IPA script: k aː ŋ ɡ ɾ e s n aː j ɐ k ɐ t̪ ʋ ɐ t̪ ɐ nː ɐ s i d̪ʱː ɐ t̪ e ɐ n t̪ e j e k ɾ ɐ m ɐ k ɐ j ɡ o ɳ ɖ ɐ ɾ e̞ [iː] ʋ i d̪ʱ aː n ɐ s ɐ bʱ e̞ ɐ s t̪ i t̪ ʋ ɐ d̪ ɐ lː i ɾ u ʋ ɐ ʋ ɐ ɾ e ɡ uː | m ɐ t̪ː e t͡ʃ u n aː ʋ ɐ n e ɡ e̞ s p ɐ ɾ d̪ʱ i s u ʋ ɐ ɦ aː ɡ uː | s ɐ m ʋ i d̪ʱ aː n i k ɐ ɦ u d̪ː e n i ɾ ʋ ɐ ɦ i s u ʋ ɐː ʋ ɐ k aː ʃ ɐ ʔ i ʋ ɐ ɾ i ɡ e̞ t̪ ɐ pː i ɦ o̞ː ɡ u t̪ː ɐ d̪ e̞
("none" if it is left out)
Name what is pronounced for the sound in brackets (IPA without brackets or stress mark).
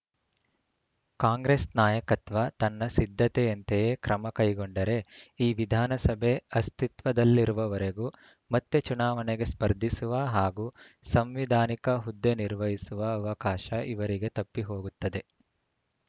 iː